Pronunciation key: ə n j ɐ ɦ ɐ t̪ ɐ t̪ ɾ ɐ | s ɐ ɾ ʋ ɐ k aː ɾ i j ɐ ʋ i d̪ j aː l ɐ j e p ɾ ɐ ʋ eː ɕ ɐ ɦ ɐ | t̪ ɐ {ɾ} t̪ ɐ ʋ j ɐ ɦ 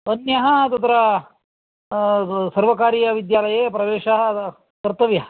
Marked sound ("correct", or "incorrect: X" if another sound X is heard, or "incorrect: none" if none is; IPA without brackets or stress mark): correct